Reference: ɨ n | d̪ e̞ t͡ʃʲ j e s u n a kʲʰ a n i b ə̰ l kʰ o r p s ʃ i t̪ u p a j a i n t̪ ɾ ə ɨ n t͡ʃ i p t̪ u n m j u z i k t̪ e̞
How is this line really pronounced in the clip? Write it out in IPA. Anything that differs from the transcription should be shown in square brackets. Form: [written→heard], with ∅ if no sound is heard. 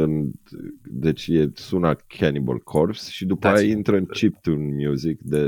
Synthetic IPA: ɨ n | d̪ e̞ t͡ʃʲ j e s u n a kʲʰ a n i b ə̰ l kʰ o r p s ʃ i [t̪→d̪] u p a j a i n t̪ ɾ ə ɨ n t͡ʃ i p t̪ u n m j u z i k [t̪→d̪] e̞